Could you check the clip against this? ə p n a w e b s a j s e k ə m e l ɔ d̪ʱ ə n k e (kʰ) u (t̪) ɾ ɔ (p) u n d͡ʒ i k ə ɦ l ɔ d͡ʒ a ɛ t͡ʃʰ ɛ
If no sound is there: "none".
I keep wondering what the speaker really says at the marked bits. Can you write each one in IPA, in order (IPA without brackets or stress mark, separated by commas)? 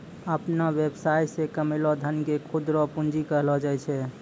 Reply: kʰ, d̪, p